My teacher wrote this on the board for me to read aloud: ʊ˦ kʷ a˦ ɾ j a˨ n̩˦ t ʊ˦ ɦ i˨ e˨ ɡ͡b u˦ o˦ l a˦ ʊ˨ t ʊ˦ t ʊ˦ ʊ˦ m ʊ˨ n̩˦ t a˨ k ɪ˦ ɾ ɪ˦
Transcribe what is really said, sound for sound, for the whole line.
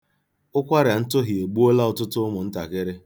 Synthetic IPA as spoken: ʊ˦ kʷ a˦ ɾ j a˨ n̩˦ t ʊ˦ ɦ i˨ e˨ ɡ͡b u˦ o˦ l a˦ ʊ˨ t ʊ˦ t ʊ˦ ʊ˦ m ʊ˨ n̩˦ t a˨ k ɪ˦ ɾ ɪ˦